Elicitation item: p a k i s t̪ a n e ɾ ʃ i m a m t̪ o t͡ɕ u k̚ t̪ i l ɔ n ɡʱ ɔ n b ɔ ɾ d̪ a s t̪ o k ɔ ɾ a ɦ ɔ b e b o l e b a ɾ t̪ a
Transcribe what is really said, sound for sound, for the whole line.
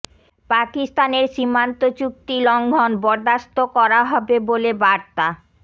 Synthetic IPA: p a k i s t̪ a n e ɾ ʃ i m a n t̪ o t͡ɕ u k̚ t̪ i l ɔ ŋ ɡʱ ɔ n b ɔ ɾ d̪ a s t̪ o k ɔ ɾ a ɦ ɔ b e b o l e b a ɾ t̪ a